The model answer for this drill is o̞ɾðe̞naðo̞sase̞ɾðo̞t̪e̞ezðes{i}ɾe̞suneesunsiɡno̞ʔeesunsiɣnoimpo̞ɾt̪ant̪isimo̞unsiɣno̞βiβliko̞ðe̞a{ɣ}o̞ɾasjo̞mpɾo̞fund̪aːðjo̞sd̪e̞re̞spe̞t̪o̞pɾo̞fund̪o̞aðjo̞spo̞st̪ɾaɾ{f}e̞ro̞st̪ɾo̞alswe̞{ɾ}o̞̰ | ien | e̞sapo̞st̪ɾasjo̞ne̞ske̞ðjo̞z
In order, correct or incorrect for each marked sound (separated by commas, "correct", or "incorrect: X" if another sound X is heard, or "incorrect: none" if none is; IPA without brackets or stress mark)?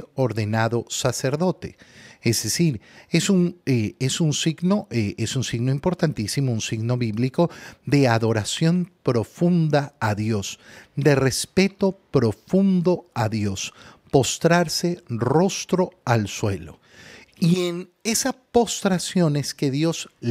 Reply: correct, incorrect: ð, incorrect: s, incorrect: l